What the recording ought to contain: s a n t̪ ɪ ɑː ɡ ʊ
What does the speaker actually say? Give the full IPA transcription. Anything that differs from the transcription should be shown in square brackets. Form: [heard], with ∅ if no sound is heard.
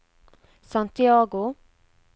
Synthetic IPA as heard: s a n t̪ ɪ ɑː ɡ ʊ